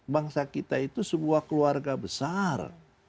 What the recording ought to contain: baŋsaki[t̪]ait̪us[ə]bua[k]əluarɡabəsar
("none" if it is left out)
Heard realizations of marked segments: t̪, ə, k

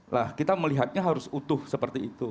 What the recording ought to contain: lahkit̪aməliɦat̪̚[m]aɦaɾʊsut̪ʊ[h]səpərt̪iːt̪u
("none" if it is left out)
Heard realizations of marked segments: ɲ, h

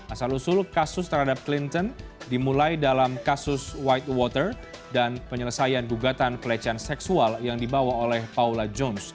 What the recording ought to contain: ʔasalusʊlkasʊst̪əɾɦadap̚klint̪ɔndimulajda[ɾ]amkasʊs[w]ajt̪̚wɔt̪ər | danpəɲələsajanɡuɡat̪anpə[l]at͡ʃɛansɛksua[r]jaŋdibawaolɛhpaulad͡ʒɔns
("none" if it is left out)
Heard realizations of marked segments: l, w, l, l

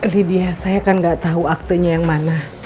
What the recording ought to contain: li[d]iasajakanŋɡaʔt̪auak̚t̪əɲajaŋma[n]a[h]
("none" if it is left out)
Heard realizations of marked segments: d, n, h

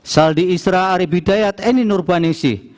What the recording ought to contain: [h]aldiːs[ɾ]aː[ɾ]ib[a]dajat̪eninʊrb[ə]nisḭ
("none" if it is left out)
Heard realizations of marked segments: s, ɾ, ɾ, i, a

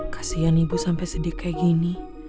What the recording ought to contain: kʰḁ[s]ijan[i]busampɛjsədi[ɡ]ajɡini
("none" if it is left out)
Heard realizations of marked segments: s, i, k

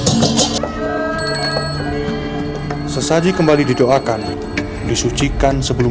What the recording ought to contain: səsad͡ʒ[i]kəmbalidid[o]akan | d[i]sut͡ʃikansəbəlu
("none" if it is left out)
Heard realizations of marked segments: i, o, i

